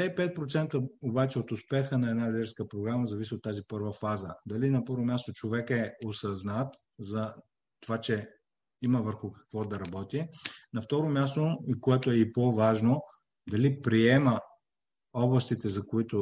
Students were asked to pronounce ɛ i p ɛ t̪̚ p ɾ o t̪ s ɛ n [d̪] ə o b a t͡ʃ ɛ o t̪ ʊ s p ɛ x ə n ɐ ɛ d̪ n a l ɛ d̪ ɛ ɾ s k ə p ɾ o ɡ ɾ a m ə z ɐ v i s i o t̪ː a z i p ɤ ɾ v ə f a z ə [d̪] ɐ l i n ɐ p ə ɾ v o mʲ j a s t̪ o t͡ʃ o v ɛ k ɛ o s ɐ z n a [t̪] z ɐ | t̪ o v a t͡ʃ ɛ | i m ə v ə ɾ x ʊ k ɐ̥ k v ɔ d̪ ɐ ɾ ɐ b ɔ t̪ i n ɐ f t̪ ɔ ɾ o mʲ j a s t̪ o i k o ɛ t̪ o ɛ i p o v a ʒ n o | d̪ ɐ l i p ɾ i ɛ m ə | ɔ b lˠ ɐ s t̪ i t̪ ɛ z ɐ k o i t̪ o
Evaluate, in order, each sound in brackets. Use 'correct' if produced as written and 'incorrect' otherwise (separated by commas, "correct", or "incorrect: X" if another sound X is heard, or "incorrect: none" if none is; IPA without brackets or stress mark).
incorrect: t̪, correct, correct